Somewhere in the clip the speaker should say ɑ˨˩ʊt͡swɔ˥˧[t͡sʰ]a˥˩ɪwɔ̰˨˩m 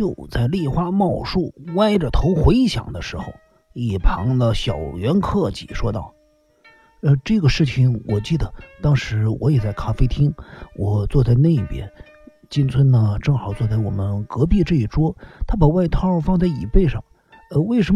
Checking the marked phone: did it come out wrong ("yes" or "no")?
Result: yes